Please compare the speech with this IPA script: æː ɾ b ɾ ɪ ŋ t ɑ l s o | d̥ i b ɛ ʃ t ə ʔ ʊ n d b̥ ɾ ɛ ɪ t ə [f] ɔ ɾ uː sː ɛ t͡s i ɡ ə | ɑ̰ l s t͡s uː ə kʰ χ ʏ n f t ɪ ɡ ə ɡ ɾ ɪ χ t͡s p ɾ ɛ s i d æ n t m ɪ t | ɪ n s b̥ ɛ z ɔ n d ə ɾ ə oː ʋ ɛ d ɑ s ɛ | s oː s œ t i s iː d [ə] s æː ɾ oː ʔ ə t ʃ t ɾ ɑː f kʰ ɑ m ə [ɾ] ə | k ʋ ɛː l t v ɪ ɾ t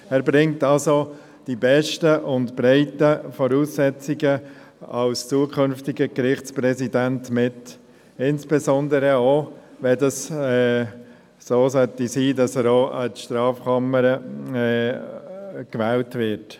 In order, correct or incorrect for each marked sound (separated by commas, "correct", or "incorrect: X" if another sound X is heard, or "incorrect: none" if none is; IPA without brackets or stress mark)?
correct, incorrect: ɑ, correct